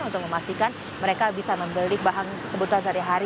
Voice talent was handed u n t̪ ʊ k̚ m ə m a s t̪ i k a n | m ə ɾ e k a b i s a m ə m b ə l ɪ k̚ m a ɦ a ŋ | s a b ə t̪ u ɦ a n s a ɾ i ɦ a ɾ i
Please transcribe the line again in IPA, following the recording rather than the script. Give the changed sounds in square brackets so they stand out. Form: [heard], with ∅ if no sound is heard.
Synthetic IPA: u n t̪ ʊ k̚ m ə m a s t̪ i k a n | m ə ɾ e k a b i s a m ə m b ə l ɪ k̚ [b] a ɦ a ŋ | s [ə] b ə t̪ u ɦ a n s a ɾ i ɦ a ɾ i